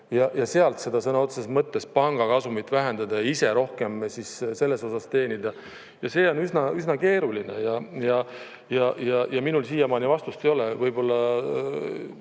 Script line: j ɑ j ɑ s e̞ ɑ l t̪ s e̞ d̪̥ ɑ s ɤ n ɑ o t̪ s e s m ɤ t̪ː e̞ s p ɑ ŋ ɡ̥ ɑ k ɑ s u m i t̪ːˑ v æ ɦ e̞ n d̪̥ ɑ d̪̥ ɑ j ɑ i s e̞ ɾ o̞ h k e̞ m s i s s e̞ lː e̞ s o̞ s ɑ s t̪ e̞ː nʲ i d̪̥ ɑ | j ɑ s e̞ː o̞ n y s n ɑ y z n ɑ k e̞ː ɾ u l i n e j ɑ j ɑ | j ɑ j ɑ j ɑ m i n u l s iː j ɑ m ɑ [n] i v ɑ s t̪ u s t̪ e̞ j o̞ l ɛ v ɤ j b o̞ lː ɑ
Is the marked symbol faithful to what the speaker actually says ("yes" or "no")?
yes